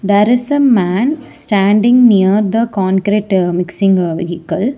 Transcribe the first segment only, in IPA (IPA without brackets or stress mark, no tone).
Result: d̪